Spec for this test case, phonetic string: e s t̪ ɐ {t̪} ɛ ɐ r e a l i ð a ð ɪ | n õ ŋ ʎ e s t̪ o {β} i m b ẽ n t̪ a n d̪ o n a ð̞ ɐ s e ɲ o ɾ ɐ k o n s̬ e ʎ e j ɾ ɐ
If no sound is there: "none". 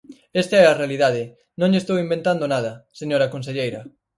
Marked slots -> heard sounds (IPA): none, w

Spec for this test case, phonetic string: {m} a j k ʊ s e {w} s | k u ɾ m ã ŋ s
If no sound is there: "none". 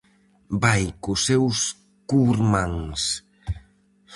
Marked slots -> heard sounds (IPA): b, w

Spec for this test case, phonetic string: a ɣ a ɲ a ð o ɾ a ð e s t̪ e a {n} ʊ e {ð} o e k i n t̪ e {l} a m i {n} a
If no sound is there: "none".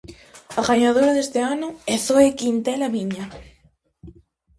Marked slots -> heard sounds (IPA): n, θ, l, ɲ

